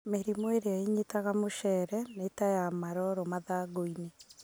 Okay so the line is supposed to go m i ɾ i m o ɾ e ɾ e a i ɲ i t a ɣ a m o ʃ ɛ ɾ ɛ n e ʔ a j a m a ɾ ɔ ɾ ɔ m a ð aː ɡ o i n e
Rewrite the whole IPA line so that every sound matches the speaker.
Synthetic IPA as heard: m e ɾ i m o e ɾ e a i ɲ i t a ɣ a m o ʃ ɛ ɾ ɛ n e t a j a m a ɾ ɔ ɾ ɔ m a ð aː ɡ o i n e

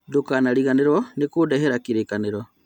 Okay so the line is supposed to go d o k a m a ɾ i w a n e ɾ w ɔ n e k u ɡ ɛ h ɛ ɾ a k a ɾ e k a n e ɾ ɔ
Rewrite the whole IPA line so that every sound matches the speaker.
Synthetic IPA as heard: d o k a n a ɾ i ɣ a n e ɾ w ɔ n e k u d ɛ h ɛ ɾ a k i ɾ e k a n e ɾ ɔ

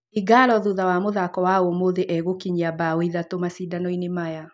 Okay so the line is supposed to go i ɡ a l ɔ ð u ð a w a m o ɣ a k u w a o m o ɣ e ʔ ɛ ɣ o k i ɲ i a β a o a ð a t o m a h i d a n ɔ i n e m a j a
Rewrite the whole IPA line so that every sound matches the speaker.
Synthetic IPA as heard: i ɡ a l ɔ ð u ð a w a m o ð a k ɔ w a o m o ð e ʔ ɛ ɣ o k i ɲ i a b a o i ð a t o m a s i d a n ɔ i n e m a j a

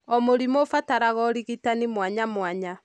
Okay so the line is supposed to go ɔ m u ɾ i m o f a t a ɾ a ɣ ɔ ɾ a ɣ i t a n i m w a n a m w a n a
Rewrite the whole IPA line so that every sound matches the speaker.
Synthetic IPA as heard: ɔ m o ɾ i m o f a t a ɾ a ɣ ɔ ɾ i ɣ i t a n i m w a ɲ a m w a ɲ a

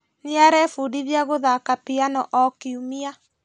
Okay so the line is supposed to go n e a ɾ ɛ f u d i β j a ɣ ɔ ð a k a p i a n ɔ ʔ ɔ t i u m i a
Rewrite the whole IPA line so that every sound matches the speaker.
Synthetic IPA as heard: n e a ɾ ɛ f u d i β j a ɣ o ð a k a p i a n ɔ ʔ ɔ k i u m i a

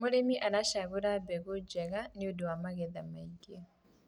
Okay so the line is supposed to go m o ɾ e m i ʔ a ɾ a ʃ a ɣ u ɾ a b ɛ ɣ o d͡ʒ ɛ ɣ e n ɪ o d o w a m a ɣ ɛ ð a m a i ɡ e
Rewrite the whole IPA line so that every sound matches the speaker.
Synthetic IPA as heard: m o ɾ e m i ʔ a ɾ a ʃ a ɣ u ɾ a b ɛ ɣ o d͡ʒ ɛ ɣ a n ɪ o d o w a m a ɣ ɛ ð a m a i ɡ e

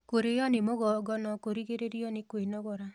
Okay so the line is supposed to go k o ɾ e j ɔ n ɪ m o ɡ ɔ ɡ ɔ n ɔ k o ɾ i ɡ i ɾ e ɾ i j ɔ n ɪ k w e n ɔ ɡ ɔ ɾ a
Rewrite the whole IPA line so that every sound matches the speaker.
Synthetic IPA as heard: k o ɾ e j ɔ n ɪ m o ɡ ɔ ɡ ɔ n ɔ k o ɾ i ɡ e ɾ e ɾ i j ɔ n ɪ k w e n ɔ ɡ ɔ ɾ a

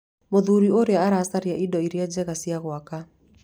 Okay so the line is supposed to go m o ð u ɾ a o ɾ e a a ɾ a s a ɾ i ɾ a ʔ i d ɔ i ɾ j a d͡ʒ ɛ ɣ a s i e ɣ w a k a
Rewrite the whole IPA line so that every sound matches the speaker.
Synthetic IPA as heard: m o ð u ɾ i o ɾ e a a ɾ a s a ɾ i a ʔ i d ɔ i ɾ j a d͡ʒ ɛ ɣ a s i a ɣ w a k a

